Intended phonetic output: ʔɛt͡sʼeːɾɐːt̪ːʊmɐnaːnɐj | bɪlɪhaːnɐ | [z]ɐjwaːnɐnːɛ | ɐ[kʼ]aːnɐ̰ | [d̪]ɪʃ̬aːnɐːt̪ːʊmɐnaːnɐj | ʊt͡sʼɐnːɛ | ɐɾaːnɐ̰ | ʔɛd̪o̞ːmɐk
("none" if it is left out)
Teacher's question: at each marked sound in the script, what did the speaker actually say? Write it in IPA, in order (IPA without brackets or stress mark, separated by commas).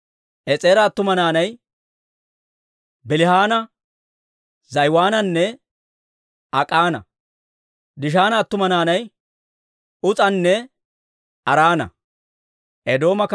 z, kʼ, d̪